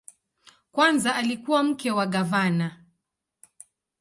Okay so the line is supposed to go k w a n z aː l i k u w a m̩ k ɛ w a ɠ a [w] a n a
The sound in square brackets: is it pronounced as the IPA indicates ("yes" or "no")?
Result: no